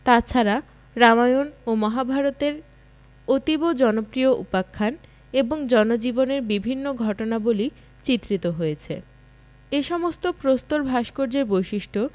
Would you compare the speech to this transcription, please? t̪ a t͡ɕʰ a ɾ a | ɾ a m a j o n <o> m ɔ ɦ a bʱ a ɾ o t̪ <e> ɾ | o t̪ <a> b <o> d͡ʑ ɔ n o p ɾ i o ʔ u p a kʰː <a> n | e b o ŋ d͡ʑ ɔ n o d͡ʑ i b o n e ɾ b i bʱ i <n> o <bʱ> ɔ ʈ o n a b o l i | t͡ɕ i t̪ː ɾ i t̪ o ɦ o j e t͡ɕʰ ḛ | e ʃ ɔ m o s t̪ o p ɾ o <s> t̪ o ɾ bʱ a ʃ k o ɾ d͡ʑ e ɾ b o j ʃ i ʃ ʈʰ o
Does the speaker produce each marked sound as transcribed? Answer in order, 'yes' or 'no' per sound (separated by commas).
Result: yes, yes, no, yes, yes, no, no, yes